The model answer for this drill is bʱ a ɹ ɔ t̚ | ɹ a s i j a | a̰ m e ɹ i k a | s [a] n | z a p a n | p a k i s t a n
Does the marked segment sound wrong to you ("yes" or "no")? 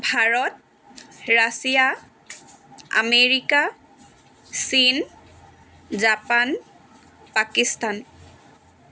yes